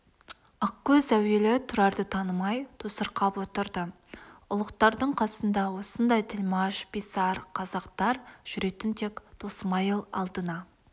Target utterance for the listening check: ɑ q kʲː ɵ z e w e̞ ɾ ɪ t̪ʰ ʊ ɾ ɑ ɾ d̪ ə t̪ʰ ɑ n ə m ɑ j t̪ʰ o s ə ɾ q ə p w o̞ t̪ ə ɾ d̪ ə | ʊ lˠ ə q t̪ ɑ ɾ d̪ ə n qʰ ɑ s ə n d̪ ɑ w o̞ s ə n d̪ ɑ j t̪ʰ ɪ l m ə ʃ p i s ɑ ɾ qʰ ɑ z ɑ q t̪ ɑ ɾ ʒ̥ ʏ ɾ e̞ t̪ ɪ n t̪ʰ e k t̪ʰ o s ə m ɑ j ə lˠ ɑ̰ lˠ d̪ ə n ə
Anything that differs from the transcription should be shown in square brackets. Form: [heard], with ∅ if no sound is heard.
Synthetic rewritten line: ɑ q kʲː ɵ z [æ] w e̞ [l] ɪ t̪ʰ ʊ ɾ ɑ ɾ d̪ ə t̪ʰ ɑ n ə m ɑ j t̪ʰ o s ə ɾ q [ɑ] p w o̞ t̪ ə ɾ d̪ ə | ʊ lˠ ə q t̪ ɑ ɾ d̪ ə [ɴ] qʰ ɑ s ə n d̪ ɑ w o̞ s ə n d̪ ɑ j t̪ʰ ɪ l m [ɑ] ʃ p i s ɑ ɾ qʰ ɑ z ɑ q t̪ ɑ ɾ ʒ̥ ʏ ɾ e̞ t̪ ɪ n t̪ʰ e k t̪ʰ o s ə m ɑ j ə lˠ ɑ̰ lˠ d̪ ə n [ɑ]